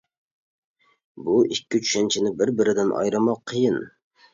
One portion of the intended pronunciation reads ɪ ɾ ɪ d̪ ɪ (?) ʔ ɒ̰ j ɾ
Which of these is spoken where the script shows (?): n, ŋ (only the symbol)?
n